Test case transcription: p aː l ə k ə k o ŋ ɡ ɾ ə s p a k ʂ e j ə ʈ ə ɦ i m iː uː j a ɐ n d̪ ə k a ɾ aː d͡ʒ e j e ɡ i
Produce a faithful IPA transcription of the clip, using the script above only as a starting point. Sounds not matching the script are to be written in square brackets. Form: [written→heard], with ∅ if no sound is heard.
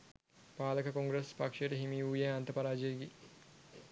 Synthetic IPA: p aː l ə k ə k o ŋ ɡ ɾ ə s p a k ʂ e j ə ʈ ə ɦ i m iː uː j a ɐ n [d̪→t̪] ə [k→p] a ɾ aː d͡ʒ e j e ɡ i